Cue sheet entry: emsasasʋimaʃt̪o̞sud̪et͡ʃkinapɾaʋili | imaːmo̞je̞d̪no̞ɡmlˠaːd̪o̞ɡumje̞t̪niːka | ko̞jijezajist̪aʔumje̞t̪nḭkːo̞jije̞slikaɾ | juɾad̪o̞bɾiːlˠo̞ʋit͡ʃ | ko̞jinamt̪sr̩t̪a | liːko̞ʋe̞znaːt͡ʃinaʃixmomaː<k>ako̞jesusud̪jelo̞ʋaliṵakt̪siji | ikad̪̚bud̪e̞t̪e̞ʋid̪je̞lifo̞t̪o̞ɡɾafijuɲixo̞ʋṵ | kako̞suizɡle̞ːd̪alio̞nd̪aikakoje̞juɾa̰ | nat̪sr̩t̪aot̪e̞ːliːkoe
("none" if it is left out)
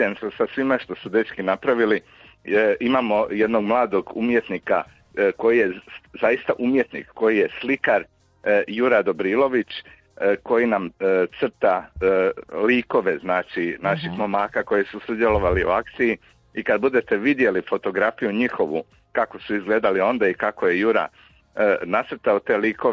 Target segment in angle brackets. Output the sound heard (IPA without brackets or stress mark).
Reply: k